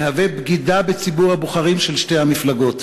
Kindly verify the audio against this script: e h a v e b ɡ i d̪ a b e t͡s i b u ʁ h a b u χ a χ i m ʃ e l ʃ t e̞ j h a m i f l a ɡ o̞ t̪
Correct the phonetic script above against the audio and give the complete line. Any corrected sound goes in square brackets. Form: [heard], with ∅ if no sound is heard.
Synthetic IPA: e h a v e b ɡ i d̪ a b e t͡s i b u ʁ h a b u χ a [ʁ] i m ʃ e l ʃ t e̞ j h a m i f l a ɡ o̞ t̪